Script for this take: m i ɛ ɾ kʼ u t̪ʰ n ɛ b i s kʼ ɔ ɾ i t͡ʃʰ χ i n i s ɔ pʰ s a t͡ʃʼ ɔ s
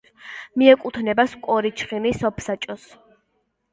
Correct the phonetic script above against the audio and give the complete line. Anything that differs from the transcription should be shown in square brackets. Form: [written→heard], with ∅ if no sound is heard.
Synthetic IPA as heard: m i ɛ [ɾ→∅] kʼ u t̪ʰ n ɛ b [i→a] s kʼ ɔ ɾ i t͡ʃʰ χ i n i s ɔ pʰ s a t͡ʃʼ ɔ s

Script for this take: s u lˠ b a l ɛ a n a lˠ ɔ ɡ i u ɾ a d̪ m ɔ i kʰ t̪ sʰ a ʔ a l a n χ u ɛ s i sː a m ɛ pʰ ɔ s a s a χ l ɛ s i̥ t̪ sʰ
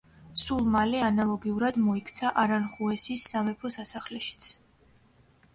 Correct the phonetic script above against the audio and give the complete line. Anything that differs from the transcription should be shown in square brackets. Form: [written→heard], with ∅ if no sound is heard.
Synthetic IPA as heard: s u lˠ [b→m] a l ɛ a n a lˠ ɔ ɡ i u ɾ a d̪ m ɔ i kʰ t̪ sʰ a ʔ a [l→ɾ] a n χ u ɛ s i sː a m ɛ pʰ ɔ s a s a χ l ɛ [s→ʃ] i̥ t̪ sʰ

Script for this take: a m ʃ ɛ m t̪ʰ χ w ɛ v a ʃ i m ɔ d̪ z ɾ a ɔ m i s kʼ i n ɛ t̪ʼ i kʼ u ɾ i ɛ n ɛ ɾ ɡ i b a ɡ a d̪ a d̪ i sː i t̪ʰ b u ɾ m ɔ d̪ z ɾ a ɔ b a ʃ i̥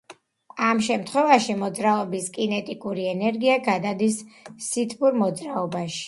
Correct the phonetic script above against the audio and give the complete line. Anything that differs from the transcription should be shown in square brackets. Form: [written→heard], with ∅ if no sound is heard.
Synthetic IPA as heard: a m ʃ ɛ m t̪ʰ χ w ɛ v a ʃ i m ɔ d̪ z ɾ a ɔ [m→b] i s kʼ i n ɛ t̪ʼ i kʼ u ɾ i ɛ n ɛ ɾ ɡ i [b→∅] a ɡ a d̪ a d̪ i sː i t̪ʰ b u ɾ m ɔ d̪ z ɾ a ɔ b a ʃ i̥

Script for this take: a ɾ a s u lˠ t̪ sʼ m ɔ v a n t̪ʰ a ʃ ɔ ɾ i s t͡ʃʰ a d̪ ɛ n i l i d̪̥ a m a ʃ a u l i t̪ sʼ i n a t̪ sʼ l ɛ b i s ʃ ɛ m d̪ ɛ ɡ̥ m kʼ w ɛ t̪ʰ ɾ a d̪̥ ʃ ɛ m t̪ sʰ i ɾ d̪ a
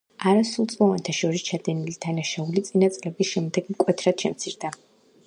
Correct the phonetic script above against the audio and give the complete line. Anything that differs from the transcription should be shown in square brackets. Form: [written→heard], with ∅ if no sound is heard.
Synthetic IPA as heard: a ɾ a s u lˠ t̪ sʼ m ɔ v a n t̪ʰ a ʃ ɔ ɾ i s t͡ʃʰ a d̪ ɛ n i l i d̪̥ a [m→n] a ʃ a u l i t̪ sʼ i n a t̪ sʼ l ɛ b i s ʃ ɛ m d̪ ɛ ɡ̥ m kʼ w ɛ t̪ʰ ɾ a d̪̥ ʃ ɛ m t̪ sʰ i ɾ d̪ a

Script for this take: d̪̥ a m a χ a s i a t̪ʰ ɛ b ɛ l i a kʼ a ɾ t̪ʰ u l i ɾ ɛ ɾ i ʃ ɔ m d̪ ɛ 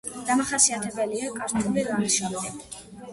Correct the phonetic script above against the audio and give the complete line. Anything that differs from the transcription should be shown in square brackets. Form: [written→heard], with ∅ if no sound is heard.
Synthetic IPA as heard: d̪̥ a m a χ a s i a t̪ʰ ɛ b ɛ l i a kʼ a ɾ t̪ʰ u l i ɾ [ɛ→a] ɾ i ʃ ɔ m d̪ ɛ

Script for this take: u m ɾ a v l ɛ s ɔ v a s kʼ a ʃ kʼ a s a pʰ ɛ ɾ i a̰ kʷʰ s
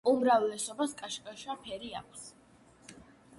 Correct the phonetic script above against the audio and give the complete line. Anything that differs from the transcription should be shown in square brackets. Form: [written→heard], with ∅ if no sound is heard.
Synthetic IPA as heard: u m ɾ a v l ɛ s ɔ [v→b] a s kʼ a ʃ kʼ a [s→ʃ] a pʰ ɛ ɾ i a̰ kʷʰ s

